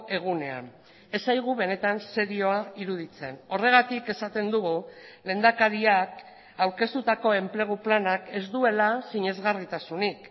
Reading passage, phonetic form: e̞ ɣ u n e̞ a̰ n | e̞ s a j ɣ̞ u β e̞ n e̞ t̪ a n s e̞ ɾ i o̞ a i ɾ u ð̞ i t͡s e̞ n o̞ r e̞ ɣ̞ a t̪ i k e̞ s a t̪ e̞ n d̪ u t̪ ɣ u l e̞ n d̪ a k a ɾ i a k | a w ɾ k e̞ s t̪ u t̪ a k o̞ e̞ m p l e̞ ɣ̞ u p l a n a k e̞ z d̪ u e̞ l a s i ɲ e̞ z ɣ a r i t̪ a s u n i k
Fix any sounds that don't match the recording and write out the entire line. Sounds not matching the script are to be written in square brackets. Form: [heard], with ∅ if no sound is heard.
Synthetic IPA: e̞ ɣ u n e̞ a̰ n | e̞ s a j ɣ̞ u β e̞ n e̞ t̪ a n s e̞ ɾ i o̞ a i ɾ u ð̞ i t͡s e̞ n o̞ r e̞ ɣ̞ a t̪ i k e̞ s a t̪ e̞ n d̪ u [∅] ɣ u l e̞ n d̪ a k a ɾ i a k | a w ɾ k e̞ s t̪ u t̪ a k o̞ e̞ m p l e̞ ɣ̞ u p l a n a k e̞ z d̪ u e̞ l a s i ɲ e̞ z ɣ a r i t̪ a s u n i k